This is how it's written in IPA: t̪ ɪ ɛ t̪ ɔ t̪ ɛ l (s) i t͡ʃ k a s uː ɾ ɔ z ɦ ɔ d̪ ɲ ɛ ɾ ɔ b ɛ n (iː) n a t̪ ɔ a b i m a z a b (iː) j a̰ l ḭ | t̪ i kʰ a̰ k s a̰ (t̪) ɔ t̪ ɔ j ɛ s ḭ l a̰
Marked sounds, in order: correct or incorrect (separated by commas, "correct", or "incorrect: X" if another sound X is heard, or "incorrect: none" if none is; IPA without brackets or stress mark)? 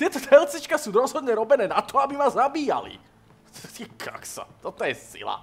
incorrect: t͡s, incorrect: ɛː, correct, correct